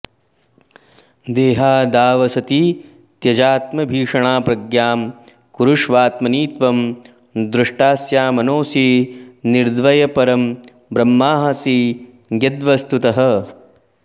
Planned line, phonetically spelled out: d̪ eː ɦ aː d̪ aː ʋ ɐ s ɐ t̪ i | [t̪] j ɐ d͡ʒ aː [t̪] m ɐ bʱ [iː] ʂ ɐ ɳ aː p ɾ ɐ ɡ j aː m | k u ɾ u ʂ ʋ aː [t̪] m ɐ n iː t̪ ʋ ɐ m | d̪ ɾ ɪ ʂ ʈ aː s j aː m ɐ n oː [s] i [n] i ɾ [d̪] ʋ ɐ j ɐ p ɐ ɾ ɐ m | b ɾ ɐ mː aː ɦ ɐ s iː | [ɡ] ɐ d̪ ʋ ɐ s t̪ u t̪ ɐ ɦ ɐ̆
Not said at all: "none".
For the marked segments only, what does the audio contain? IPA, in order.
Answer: t̪, t̪, iː, t̪, s, n, d̪, ɡ

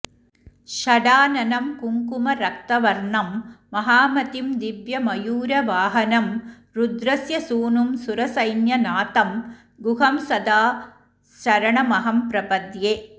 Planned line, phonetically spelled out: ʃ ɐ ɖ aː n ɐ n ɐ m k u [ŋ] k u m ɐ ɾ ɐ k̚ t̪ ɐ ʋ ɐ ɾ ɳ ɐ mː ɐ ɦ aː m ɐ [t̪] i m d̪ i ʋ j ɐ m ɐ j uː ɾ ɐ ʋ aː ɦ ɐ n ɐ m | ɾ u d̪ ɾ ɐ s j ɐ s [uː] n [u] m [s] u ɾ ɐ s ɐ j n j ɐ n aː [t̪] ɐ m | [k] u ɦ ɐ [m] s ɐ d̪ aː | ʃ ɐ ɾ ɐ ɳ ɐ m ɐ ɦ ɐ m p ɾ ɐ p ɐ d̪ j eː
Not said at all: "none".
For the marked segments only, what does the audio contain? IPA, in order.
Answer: ŋ, t̪, uː, u, s, t̪, ɡ, m

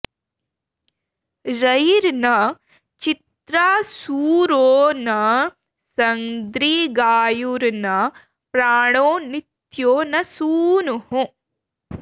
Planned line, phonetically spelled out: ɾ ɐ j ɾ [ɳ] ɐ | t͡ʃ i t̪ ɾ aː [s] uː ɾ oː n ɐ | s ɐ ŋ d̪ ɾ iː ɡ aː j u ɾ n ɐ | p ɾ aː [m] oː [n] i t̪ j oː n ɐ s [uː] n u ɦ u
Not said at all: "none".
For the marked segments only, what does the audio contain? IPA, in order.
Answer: n, s, ɳ, n, uː

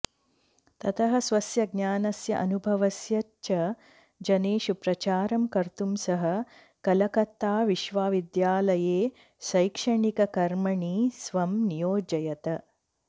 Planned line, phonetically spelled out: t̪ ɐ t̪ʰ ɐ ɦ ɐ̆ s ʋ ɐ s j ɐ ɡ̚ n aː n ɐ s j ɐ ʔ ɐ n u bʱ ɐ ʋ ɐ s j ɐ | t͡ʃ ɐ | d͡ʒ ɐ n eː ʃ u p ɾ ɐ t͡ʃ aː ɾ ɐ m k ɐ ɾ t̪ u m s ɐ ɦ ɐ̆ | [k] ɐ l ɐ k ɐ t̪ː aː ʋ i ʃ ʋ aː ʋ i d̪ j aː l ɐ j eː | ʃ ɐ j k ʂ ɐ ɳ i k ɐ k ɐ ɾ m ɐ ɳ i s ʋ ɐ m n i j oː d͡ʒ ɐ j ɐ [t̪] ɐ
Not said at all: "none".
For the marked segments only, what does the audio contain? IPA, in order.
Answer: k, t̪

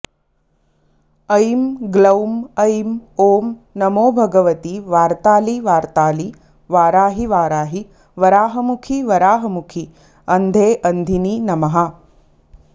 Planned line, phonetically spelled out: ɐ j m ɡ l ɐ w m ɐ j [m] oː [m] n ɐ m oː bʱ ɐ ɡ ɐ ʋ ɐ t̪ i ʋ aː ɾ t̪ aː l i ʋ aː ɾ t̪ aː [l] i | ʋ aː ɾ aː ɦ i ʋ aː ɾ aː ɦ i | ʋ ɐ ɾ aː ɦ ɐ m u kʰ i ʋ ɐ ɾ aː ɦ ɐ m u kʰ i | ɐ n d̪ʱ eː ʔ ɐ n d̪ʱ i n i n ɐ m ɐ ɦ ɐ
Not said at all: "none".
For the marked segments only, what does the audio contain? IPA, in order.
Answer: m, m, l

